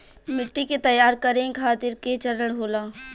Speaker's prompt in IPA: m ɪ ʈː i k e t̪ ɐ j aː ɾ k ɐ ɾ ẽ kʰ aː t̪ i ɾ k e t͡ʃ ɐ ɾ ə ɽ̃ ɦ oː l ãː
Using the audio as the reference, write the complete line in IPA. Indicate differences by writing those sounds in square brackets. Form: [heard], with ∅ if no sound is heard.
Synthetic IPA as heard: m ɪ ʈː i k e t̪ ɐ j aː ɾ k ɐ ɾ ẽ kʰ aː t̪ [ɪ] ɾ k e t͡ʃ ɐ ɾ ə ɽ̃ ɦ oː l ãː